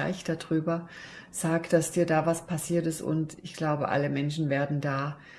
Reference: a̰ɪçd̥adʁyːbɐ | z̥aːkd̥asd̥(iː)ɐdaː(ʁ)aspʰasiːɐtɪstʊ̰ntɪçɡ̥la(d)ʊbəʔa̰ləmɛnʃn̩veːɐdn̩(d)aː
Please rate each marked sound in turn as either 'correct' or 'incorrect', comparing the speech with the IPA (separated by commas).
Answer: correct, incorrect, incorrect, correct